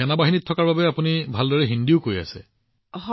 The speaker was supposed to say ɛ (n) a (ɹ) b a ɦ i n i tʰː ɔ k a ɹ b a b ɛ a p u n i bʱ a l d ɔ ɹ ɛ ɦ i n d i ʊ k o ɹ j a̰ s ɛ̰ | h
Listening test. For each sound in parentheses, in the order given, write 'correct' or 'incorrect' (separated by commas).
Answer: correct, incorrect